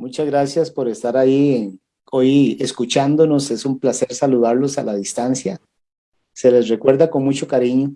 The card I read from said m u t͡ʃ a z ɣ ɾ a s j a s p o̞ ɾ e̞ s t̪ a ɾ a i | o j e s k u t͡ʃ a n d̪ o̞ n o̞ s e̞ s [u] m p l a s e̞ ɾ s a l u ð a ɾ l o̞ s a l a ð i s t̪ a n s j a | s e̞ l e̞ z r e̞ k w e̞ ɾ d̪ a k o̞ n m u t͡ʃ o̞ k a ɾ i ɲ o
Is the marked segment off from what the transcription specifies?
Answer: no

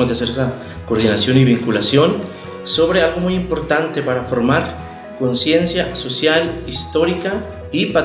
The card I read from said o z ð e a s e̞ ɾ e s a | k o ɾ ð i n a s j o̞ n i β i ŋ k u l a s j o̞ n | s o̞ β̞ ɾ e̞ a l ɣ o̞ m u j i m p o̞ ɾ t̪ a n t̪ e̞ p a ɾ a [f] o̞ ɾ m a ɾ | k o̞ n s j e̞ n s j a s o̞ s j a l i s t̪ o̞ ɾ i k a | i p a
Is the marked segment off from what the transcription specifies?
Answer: no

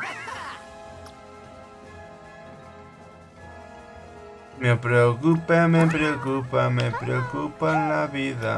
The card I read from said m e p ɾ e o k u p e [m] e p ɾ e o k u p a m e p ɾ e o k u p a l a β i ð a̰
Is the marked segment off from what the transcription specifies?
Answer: no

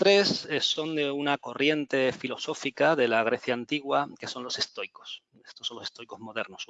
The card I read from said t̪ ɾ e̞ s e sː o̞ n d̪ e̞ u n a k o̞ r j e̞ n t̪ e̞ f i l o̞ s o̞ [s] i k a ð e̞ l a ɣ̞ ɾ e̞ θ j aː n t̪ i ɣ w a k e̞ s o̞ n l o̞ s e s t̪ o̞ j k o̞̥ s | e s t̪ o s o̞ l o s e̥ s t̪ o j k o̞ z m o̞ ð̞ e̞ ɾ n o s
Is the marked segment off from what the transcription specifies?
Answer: yes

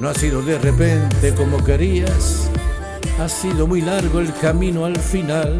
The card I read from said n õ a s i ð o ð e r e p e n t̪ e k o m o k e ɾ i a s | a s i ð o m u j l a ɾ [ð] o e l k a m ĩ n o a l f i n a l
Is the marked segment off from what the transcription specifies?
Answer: yes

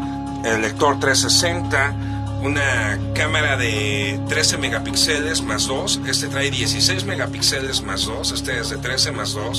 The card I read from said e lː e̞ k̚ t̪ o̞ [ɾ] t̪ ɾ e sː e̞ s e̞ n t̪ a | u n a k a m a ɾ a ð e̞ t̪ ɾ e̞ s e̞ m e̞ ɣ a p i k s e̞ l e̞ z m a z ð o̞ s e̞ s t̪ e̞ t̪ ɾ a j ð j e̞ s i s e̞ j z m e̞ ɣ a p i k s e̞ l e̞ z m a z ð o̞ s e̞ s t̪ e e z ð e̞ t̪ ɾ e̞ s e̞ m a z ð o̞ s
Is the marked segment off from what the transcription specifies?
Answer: no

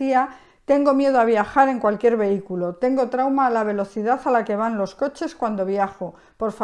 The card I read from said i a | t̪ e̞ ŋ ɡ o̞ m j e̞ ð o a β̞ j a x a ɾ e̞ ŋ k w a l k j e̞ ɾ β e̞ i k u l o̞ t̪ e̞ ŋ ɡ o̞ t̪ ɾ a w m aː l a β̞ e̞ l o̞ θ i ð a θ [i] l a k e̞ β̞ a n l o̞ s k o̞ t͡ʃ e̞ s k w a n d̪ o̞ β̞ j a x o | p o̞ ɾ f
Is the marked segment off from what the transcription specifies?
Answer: yes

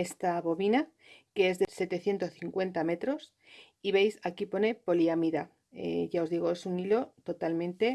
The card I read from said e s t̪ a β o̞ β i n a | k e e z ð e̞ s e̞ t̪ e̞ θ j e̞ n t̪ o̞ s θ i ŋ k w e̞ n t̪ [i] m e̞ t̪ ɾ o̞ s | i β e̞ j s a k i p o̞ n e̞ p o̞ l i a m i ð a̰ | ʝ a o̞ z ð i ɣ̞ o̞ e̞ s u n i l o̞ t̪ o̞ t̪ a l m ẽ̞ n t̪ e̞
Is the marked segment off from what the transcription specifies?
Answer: yes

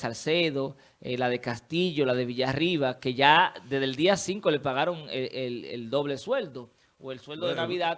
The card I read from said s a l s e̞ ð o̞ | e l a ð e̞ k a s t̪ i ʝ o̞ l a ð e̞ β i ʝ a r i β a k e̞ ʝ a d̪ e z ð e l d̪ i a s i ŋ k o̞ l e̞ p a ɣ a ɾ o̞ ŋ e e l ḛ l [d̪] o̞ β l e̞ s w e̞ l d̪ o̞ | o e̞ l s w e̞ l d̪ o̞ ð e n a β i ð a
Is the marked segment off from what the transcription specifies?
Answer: no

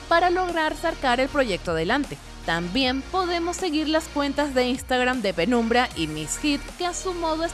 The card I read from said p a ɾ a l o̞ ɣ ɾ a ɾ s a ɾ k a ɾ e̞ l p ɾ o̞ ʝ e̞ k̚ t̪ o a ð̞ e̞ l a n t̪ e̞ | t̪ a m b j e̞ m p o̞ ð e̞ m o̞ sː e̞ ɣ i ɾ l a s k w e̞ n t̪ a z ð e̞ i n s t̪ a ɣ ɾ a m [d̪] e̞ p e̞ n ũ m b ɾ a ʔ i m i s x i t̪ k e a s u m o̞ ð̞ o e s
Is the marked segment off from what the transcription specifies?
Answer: no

